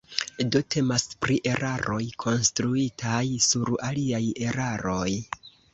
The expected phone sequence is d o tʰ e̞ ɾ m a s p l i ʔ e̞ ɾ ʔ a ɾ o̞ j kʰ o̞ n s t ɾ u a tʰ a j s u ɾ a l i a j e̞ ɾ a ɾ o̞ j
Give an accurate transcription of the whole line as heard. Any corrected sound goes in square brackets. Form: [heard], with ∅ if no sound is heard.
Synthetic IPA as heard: d o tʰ e̞ [∅] m a s p [ɾ] i ʔ e̞ ɾ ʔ a ɾ o̞ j kʰ o̞ n s t ɾ u [i] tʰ a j s u ɾ a l i a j e̞ ɾ a ɾ o̞ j